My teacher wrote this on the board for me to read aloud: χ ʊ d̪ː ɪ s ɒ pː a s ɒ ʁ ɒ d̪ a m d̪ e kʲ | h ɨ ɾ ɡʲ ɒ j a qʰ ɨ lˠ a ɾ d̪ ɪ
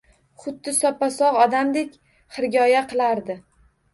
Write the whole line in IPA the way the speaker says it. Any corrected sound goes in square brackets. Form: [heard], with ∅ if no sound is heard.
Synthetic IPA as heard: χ ʊ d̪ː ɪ s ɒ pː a s ɒ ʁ ɒ d̪ a m d̪ e kʲ | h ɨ ɾ ɡʲ ɒ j a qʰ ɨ lˠ a ɾ d̪ ɪ